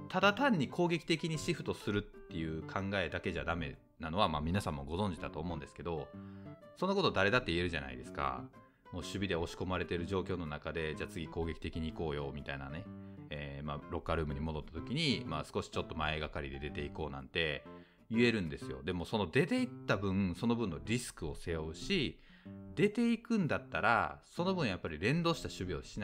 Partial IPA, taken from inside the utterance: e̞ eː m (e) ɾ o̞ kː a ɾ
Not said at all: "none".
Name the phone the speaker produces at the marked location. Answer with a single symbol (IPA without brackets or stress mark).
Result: a